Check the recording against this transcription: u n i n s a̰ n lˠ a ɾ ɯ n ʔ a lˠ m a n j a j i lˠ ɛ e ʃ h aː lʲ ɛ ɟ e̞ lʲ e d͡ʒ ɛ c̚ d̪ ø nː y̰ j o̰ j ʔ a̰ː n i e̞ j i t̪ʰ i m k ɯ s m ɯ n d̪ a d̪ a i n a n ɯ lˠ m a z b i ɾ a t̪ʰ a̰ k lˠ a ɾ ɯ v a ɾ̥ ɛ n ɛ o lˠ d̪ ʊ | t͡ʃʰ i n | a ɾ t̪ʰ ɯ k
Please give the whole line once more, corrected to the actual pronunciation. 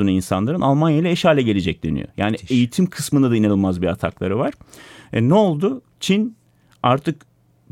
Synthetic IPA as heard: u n i n s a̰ n lˠ a ɾ ɯ n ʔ a lˠ m a n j a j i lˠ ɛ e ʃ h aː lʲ ɛ ɟ e̞ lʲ e d͡ʒ ɛ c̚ d̪ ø n y̰ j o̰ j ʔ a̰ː n i e̞ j i t̪ʰ i m kʰ ɯ s m ɯ n d̪ a d̪ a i n a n ɯ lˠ m a z b i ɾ a t̪ʰ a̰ k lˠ a ɾ ɯ v a ɾ̥ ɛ n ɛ o lˠ d̪ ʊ | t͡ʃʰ i n | a ɾ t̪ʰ ɯ k